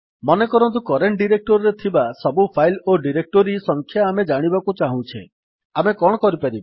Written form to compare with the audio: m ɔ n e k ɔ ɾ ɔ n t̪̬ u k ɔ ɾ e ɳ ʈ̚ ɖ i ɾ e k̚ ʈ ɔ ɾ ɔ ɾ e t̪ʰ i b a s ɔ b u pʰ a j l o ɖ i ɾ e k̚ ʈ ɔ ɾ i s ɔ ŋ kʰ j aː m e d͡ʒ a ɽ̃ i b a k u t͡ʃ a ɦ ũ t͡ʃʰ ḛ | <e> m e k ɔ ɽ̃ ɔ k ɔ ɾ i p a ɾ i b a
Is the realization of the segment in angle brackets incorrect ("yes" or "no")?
yes